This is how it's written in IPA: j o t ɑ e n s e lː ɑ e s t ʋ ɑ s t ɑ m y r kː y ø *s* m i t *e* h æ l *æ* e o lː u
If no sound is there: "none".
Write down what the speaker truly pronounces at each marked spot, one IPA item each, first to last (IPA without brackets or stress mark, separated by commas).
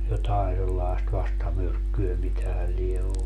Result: none, æ, i